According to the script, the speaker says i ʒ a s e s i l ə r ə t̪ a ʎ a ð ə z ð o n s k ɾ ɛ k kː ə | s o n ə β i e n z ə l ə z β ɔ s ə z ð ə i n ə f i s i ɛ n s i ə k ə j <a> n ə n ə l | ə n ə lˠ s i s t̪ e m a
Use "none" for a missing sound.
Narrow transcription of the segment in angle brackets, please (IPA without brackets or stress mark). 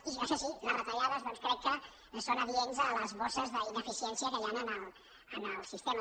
a